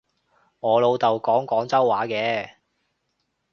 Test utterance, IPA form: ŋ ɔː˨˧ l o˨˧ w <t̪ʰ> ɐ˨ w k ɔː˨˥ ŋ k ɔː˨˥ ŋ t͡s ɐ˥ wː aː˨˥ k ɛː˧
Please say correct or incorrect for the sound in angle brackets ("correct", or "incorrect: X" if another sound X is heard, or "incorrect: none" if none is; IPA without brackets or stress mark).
incorrect: t̪